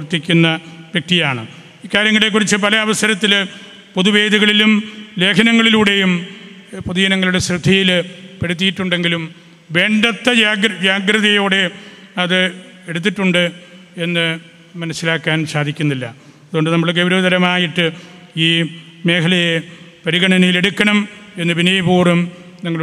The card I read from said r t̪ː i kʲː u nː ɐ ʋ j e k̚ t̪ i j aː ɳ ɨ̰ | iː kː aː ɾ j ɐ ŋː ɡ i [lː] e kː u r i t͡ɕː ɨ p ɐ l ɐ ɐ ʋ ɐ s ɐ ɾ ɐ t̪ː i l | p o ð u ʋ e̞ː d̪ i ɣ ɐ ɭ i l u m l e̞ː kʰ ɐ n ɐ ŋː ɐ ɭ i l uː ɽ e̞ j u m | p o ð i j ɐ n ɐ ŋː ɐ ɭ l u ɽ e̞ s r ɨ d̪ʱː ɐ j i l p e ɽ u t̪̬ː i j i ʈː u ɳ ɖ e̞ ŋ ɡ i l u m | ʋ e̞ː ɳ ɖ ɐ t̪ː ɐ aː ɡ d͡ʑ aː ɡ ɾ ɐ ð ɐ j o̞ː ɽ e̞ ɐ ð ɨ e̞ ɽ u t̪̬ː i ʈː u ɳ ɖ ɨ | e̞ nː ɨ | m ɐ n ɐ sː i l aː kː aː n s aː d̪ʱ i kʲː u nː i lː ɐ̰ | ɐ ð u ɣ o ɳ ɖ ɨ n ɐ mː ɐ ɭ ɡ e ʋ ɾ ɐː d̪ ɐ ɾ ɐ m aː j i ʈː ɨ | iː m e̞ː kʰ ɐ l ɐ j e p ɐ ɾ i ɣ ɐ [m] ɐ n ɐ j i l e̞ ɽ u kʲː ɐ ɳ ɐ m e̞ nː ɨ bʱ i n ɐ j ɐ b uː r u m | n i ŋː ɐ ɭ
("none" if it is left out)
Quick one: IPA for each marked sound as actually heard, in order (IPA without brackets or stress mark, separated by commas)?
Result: l, ɳ